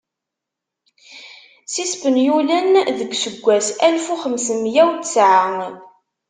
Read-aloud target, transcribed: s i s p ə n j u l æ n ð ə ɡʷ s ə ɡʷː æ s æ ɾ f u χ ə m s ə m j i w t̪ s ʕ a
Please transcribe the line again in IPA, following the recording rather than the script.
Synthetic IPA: s i s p ə n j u l æ n ð ə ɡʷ s ə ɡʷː æ s æ l f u χ ə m s ə m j æ w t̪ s ʕ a